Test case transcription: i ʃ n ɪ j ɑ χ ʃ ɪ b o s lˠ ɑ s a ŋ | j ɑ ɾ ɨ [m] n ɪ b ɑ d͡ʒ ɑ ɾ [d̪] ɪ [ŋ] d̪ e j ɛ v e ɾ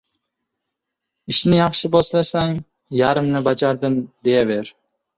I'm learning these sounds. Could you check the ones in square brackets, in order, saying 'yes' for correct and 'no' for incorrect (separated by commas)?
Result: yes, yes, no